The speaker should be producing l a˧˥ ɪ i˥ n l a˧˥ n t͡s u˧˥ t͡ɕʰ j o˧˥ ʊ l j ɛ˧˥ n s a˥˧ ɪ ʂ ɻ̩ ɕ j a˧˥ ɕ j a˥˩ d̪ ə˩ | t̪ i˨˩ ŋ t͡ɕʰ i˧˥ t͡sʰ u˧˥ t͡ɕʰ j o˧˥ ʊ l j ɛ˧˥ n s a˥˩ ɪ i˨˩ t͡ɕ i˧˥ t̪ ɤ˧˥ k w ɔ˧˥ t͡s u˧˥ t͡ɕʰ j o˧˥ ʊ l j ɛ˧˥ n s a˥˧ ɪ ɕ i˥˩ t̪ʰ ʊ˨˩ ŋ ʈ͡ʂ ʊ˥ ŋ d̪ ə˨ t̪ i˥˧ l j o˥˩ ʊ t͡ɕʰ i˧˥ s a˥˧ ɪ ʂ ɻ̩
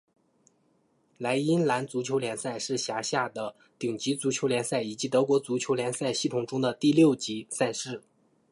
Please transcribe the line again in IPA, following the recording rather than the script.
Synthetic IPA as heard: l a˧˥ ɪ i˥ n l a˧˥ n t͡s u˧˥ t͡ɕʰ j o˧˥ ʊ l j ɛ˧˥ n s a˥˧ ɪ ʂ ɻ̩ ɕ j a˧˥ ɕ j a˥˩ d̪ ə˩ | t̪ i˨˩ ŋ t͡ɕ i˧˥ t͡s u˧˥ t͡ɕʰ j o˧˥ ʊ l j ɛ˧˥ n s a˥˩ ɪ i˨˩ t͡ɕ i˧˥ t̪ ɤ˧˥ k w ɔ˧˥ t͡s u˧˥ t͡ɕʰ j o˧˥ ʊ l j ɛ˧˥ n s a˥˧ ɪ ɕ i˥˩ t̪ʰ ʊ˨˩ ŋ ʈ͡ʂ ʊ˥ ŋ d̪ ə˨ t̪ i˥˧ l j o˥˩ ʊ t͡ɕ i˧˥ s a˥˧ ɪ ʂ ɻ̩

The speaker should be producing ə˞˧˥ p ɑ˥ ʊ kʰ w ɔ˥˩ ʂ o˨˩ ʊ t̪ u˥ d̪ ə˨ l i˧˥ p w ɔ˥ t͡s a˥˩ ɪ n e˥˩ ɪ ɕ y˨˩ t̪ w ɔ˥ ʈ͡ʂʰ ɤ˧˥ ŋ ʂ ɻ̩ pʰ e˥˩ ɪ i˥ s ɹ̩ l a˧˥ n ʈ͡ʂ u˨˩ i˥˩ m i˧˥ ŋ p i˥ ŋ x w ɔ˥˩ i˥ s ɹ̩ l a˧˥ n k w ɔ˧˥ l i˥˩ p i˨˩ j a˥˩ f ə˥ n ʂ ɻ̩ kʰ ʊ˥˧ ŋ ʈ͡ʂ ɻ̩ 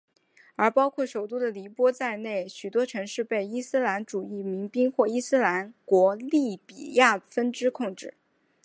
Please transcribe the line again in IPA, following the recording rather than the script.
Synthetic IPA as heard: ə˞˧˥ p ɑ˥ ʊ kʰ w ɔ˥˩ ʂ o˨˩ ʊ t̪ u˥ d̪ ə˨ l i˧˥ p w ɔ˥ t͡s a˥˧ ɪ n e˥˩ ɪ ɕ y˨˩ t̪ w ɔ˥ ʈ͡ʂʰ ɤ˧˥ ŋ ʂ ɻ̩ p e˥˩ ɪ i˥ s ɹ̩ l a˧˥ n ʈ͡ʂ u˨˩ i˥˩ m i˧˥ ŋ p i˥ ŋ x w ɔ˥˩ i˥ s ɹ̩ l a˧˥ n k w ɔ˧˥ l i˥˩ p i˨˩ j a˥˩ f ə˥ n ʈ͡ʂ ɻ̩ kʰ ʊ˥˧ ŋ ʈ͡ʂ ɻ̩

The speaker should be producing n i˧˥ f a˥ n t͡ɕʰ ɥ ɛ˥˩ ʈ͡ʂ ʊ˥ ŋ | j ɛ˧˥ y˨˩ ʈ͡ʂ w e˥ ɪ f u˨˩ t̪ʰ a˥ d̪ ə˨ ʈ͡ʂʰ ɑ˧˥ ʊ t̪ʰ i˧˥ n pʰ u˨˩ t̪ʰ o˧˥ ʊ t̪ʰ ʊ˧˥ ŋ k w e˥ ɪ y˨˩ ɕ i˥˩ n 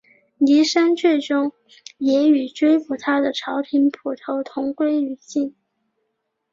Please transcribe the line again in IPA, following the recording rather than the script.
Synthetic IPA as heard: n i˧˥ ʂ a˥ n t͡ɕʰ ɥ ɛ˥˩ ʈ͡ʂ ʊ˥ ŋ | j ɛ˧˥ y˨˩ ʈ͡ʂ w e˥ ɪ f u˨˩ t̪ʰ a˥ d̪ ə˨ ʈ͡ʂʰ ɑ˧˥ ʊ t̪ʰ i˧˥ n pʰ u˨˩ t̪ʰ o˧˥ ʊ t̪ʰ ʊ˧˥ ŋ k w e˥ ɪ y˨˩ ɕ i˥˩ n

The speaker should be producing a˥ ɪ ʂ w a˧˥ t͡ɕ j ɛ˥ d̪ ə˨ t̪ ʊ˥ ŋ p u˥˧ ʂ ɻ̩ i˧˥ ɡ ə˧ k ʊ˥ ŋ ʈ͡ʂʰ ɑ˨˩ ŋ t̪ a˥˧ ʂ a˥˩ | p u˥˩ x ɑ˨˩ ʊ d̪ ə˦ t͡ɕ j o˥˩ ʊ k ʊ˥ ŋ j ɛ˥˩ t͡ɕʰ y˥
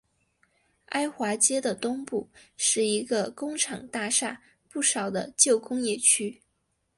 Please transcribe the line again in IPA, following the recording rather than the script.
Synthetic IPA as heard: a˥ ɪ x w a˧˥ t͡ɕ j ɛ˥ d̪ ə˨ t̪ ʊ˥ ŋ p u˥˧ ʂ ɻ̩ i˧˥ ɡ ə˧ k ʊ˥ ŋ ʈ͡ʂʰ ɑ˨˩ ŋ t̪ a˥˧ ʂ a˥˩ | p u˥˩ ʂ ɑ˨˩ ʊ d̪ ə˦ t͡ɕ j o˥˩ ʊ k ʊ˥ ŋ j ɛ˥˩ t͡ɕʰ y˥

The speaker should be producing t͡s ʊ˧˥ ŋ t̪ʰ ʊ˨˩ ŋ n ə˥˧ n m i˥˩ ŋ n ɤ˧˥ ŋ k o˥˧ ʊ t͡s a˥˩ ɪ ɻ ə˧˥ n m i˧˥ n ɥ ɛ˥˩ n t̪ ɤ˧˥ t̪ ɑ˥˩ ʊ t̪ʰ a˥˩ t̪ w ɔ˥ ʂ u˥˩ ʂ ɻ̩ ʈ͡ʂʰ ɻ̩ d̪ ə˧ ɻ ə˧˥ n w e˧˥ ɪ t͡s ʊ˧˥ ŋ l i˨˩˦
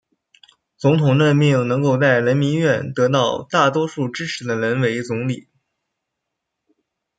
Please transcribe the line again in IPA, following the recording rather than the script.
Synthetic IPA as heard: t͡s ʊ˧˥ ŋ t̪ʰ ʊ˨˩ ŋ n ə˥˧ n m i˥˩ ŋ n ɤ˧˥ ŋ k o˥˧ ʊ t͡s a˥˩ ɪ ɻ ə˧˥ n m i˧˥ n ɥ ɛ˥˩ n t̪ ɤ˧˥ t̪ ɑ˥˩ ʊ t̪ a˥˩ t̪ w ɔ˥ ʂ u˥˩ ʈ͡ʂ ɻ̩ ʈ͡ʂʰ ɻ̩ d̪ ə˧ ɻ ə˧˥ n w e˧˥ ɪ t͡s ʊ˧˥ ŋ l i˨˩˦

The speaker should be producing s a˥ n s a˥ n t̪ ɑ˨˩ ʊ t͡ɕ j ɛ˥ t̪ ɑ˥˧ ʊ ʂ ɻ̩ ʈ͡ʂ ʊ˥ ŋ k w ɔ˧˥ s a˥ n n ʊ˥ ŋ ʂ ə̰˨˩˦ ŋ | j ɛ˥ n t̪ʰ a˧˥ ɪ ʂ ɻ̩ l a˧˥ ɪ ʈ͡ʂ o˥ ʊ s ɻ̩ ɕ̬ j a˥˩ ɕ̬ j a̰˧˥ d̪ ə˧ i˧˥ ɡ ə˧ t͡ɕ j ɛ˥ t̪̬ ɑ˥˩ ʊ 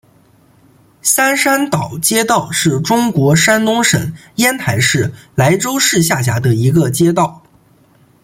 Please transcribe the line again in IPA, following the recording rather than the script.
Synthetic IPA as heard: s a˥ n ʂ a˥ n t̪ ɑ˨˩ ʊ t͡ɕ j ɛ˥ t̪ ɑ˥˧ ʊ ʂ ɻ̩ ʈ͡ʂ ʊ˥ ŋ k w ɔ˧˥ ʂ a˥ n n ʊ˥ ŋ ʂ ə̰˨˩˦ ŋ | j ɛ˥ n t̪ʰ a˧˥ ɪ ʂ ɻ̩ l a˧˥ ɪ ʈ͡ʂ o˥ ʊ ʂ ɻ̩ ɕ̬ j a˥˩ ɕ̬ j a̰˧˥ d̪ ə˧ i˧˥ ɡ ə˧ t͡ɕ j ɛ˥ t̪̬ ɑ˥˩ ʊ

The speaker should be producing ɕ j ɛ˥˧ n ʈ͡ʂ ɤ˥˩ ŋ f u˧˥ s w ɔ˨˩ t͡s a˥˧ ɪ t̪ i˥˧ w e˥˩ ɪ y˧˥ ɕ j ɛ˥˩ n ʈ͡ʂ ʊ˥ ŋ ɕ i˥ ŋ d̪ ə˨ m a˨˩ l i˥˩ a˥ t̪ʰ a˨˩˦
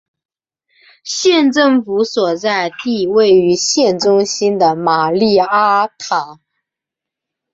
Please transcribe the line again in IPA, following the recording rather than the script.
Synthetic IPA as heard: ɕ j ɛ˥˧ n ʈ͡ʂ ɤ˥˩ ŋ f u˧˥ s w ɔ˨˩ t͡s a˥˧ ɪ t̪ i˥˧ w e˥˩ ɪ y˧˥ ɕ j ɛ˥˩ n ʈ͡ʂ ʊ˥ ŋ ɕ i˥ n d̪ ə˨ m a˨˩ l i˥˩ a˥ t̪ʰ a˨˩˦

